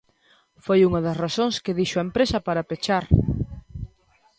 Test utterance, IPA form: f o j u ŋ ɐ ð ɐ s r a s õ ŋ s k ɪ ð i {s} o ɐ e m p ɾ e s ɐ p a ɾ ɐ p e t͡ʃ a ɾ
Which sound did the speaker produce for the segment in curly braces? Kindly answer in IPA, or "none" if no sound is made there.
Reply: ʃ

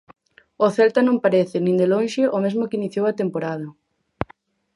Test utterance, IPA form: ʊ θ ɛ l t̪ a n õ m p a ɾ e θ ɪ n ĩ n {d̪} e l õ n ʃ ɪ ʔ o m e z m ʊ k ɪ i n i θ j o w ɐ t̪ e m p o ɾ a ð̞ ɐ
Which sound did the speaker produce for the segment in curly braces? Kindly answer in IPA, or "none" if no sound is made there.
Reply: d̪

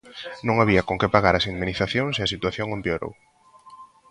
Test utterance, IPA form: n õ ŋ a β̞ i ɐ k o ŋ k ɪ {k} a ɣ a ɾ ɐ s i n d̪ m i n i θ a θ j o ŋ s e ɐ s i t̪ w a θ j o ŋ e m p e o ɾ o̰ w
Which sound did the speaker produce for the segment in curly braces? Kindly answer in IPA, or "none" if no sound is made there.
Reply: p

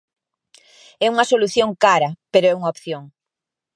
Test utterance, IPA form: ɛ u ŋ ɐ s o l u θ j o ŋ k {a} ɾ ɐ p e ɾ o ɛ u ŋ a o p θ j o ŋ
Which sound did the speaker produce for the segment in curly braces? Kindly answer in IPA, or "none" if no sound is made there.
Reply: a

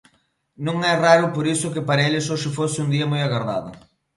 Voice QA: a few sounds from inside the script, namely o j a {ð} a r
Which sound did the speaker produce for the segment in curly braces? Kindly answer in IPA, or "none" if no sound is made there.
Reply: ɣ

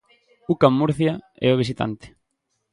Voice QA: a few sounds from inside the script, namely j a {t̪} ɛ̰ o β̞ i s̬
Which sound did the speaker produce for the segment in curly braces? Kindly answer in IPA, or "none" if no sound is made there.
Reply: none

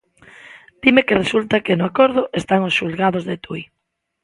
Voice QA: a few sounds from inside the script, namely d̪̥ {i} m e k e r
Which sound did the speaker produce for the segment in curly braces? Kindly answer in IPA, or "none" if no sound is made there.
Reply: i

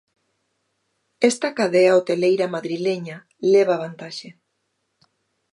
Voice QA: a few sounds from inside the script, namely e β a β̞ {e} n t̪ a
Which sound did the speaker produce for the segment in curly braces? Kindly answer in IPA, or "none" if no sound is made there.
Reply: a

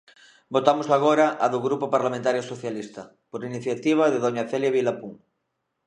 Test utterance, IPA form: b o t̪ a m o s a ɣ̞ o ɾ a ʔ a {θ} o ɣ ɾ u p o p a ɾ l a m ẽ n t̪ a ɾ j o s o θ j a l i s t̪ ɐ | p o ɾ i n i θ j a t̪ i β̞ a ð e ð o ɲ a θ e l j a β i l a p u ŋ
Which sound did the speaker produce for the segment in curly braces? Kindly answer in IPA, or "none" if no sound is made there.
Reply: ð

